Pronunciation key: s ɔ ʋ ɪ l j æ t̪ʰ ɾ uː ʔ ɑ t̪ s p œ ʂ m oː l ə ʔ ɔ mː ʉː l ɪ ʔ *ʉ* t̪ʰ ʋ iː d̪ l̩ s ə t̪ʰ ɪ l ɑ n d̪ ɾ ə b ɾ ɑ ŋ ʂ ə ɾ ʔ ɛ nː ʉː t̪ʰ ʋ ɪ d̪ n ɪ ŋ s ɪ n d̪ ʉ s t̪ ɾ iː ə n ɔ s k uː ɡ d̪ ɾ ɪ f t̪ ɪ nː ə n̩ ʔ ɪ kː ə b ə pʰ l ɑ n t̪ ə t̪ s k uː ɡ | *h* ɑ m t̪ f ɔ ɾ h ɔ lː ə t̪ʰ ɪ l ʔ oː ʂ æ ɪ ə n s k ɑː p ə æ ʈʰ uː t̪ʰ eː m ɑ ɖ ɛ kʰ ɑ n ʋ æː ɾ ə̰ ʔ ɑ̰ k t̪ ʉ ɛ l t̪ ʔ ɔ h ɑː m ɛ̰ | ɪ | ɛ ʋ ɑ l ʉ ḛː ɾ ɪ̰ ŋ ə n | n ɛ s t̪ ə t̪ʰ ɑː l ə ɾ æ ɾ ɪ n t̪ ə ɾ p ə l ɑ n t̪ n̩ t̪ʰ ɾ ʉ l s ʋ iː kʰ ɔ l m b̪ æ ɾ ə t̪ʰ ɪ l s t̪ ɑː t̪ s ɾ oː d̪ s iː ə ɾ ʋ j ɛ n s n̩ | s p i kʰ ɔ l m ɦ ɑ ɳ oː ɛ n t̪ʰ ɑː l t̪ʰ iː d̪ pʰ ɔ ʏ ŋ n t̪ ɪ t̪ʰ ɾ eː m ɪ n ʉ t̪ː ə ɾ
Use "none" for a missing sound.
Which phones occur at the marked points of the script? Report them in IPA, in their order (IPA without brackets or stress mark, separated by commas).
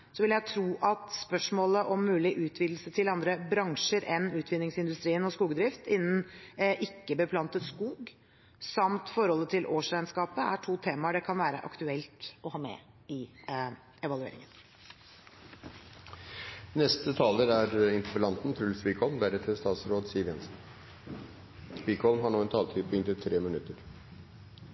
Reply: ʉː, s